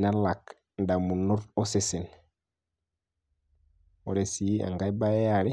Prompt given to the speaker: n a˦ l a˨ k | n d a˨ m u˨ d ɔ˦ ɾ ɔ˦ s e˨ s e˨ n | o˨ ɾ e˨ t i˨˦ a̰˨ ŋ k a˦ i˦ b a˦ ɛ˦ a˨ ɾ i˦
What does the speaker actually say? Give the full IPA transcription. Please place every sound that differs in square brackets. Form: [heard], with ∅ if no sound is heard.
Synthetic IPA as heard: n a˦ l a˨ k | n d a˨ m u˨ [n] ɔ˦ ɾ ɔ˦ s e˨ s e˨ n | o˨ ɾ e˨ [s] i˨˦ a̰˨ ŋ [ɡ] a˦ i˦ b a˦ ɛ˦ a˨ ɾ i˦

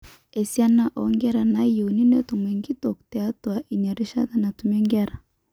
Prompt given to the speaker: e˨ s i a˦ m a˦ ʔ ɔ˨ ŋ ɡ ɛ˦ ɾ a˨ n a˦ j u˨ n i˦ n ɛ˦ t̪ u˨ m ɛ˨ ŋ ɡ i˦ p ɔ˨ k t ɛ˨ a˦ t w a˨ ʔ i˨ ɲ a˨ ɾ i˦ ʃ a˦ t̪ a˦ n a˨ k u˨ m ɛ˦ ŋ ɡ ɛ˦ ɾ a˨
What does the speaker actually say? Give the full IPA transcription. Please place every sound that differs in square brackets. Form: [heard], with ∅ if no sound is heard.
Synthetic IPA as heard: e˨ s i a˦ [n] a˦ ʔ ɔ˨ ŋ ɡ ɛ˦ ɾ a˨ n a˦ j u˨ n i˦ n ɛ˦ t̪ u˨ m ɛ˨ ŋ ɡ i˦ [t] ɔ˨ k t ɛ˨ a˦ t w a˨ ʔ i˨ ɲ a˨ ɾ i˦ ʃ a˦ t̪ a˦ n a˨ [t] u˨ m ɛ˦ ŋ ɡ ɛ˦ ɾ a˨

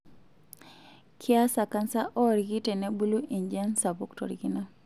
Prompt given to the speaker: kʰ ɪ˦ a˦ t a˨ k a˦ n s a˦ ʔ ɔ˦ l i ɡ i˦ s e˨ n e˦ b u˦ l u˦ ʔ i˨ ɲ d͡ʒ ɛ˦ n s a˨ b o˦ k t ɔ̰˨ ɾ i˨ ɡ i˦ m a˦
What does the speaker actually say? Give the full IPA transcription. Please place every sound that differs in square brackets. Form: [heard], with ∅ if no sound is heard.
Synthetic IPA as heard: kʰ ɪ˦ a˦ [s] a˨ k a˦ n s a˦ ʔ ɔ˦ [ɾ] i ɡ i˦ [t] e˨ n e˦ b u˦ l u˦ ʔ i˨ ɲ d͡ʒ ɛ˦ n s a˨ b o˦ k t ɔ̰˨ ɾ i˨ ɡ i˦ [n] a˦

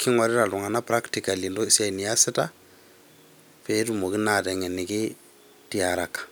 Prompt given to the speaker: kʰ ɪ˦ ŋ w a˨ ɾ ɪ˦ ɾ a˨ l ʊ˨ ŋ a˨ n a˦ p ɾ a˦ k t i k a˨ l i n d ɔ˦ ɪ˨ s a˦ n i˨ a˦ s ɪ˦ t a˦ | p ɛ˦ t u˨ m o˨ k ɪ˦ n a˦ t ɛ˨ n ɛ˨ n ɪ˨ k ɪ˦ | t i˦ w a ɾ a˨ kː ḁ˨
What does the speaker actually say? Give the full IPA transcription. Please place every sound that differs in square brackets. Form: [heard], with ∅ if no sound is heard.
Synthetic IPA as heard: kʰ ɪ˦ ŋ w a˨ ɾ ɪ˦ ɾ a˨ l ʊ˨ ŋ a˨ n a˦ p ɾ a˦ k t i k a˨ l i n d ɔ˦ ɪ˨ s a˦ n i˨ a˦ s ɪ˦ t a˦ | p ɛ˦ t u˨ m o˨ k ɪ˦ n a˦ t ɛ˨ [ŋ] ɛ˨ n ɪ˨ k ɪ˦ | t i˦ [∅] a ɾ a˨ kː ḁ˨

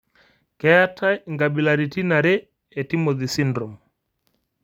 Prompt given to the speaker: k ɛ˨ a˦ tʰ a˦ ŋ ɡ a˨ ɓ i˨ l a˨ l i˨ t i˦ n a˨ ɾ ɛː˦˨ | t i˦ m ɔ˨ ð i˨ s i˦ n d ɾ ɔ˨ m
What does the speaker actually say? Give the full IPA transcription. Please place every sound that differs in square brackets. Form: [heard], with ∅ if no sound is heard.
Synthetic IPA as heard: k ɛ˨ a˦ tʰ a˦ ŋ ɡ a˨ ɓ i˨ l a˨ [ɾ] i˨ t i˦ n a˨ ɾ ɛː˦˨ | t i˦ m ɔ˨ ð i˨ s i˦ n d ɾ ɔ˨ m

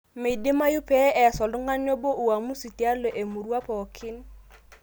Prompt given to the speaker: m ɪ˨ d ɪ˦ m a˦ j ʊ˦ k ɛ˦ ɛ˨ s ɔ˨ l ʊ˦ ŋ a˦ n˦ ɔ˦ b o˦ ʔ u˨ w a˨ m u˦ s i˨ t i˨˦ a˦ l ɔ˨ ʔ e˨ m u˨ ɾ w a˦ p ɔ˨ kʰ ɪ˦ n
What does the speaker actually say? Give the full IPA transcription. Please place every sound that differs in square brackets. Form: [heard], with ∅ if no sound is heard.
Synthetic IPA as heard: m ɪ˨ d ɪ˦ m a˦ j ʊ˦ [p] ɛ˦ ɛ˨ s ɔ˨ l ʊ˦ ŋ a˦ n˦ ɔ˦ b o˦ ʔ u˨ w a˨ m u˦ s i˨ t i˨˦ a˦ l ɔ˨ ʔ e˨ m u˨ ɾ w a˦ p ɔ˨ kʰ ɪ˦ n

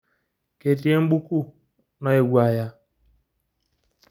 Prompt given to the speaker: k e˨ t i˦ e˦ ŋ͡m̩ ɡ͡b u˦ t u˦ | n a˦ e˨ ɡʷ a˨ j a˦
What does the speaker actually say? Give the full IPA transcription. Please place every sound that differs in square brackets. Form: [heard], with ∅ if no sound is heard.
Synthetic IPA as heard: k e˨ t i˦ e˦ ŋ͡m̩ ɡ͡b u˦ [k] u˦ | n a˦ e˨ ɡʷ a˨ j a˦

